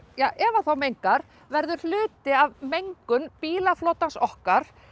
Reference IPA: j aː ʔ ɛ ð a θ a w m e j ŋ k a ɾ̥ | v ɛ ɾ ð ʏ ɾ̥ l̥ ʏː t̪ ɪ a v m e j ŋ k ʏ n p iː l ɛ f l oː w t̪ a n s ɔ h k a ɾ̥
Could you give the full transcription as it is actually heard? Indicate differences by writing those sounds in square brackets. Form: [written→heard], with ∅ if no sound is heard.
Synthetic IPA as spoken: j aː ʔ ɛ [ð→v] a θ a w m e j ŋ k a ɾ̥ | v ɛ ɾ ð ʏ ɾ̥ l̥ ʏː t̪ ɪ a v m e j ŋ k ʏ n p iː l [ɛ→a] f l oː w t̪ a n s ɔ h k a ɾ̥